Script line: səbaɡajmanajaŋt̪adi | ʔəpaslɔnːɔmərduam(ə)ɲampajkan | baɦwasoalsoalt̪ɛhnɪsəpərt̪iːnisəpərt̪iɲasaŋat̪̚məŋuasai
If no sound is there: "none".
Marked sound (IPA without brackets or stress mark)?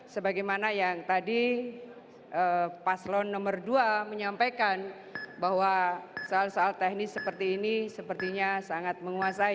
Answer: ə